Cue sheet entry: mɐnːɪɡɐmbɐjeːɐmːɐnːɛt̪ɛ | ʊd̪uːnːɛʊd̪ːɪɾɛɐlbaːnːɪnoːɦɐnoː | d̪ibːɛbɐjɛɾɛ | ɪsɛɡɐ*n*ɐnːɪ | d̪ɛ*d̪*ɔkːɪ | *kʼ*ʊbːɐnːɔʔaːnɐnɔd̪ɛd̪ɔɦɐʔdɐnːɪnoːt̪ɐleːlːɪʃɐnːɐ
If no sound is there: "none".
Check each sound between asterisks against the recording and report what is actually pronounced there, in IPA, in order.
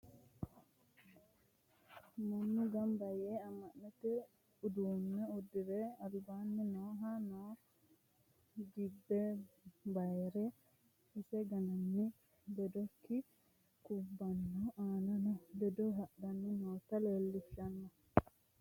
n, d̪, k

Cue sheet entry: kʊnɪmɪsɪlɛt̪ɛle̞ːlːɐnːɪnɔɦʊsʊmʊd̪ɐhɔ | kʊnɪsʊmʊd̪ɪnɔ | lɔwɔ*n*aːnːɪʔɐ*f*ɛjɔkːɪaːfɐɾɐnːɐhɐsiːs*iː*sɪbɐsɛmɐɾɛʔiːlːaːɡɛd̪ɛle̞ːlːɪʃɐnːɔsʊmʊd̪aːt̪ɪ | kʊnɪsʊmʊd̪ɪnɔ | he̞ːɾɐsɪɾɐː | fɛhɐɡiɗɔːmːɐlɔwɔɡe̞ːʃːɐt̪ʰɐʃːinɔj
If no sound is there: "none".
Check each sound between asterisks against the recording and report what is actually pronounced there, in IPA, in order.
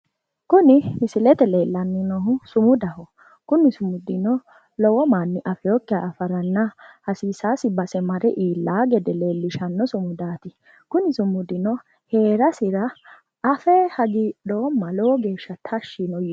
m, f, aː

